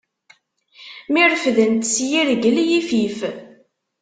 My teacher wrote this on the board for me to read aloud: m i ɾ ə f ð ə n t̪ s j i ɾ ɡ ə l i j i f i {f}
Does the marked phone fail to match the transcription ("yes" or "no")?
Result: no